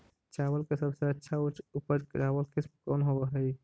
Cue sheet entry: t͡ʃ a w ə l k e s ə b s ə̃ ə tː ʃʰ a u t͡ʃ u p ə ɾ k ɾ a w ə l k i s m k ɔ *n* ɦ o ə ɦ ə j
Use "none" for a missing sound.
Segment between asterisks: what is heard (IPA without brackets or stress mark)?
n